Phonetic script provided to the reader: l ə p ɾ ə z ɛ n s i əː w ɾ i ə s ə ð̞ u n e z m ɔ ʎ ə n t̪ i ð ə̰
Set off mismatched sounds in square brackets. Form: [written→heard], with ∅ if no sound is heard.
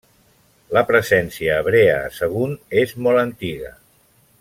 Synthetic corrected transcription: l ə p ɾ ə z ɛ n s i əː [w→β] ɾ [i→e] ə s ə [ð̞→ɣ̞] u n e z m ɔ [ʎ→l] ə n t̪ i [ð→ɣ] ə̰